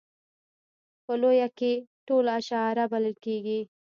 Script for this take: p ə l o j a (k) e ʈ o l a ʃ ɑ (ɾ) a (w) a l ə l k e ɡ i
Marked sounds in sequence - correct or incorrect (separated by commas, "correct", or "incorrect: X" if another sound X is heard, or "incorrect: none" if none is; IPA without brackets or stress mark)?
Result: correct, correct, incorrect: b